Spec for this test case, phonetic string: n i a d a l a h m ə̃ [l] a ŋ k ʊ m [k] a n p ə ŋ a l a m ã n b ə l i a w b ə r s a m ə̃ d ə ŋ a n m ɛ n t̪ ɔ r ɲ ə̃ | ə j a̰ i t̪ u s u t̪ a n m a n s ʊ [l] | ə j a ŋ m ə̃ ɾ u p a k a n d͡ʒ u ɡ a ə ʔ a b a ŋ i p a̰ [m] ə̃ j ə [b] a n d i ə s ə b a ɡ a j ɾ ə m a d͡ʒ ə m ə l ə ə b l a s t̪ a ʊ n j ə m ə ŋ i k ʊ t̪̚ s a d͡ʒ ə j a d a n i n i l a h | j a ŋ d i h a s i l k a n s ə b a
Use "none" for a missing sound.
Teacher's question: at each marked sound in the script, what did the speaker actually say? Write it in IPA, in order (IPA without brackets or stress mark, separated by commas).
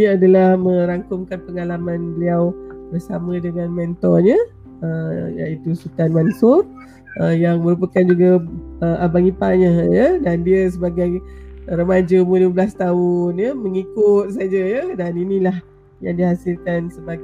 ɾ, k, r, ɲ, d